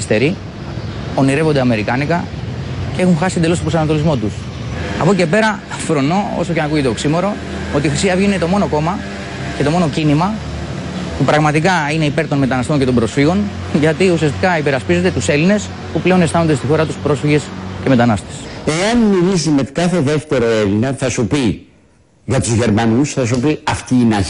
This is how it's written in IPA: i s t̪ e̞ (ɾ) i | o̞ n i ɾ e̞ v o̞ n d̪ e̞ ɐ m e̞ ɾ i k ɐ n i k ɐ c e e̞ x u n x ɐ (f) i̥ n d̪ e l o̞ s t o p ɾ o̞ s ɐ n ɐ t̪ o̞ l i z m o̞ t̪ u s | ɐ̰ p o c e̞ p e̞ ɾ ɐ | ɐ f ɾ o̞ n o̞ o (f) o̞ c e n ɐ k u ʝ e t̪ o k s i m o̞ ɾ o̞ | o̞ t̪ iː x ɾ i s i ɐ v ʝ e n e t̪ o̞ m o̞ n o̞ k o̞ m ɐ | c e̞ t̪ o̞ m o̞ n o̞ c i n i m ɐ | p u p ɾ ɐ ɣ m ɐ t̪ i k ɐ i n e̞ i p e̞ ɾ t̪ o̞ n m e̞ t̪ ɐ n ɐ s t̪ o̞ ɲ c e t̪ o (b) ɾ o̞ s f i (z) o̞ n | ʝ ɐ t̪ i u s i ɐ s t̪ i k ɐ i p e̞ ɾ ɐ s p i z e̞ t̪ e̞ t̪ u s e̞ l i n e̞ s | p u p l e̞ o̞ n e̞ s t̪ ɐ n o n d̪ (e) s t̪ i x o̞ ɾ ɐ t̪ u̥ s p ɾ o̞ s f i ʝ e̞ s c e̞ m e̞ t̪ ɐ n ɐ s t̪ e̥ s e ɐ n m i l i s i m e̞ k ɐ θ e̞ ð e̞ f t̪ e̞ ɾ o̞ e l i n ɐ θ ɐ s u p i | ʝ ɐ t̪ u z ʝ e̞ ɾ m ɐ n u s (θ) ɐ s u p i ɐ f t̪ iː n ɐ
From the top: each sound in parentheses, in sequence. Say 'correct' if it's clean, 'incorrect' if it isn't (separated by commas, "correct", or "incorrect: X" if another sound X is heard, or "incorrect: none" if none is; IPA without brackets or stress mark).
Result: correct, incorrect: s, incorrect: s, correct, incorrect: ɣ, correct, correct